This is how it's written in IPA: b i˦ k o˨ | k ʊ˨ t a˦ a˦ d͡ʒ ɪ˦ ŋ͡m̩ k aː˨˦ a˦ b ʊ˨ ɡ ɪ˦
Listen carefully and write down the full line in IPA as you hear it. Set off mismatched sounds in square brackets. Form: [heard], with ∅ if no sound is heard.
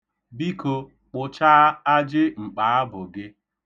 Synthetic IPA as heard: b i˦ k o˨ | [k͡p] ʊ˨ [t͡ʃ] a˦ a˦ d͡ʒ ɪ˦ ŋ͡m̩ [k͡p] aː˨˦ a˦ b ʊ˨ ɡ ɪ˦